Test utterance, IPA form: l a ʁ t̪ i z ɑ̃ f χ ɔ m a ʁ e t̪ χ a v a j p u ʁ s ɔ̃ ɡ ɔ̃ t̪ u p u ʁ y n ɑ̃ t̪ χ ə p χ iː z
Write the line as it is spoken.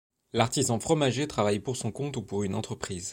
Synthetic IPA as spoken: l a ʁ t̪ i z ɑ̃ f χ ɔ m a ʒ e t̪ χ a v a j p u ʁ s ɔ̃ k ɔ̃ t̪ u p u ʁ y n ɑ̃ t̪ χ ə p χ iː z